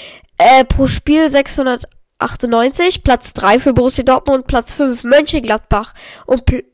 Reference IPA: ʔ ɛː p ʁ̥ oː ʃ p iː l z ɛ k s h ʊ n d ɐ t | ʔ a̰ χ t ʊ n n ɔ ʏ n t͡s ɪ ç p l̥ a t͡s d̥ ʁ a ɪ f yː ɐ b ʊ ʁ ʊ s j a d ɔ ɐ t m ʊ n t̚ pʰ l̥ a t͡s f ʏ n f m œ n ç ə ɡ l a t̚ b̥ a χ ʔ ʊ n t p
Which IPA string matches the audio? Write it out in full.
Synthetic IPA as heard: ʔ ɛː p ʁ̥ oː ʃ p iː l z ɛ k s h ʊ n d ɐ t | ʔ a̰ χ t ʊ n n ɔ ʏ n t͡s ɪ ç p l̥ a t͡s d̥ ʁ a ɪ f yː ɐ b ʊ ʁ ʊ s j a d ɔ ɐ t m ʊ n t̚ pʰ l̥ a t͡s f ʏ n f m œ n ç ə ɡ l a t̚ b̥ a χ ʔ ʊ n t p